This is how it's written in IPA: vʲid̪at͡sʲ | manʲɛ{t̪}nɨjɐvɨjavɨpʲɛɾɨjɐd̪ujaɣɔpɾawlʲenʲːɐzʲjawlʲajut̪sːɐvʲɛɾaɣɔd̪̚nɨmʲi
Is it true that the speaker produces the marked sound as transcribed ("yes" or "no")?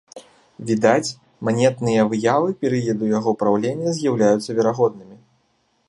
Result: yes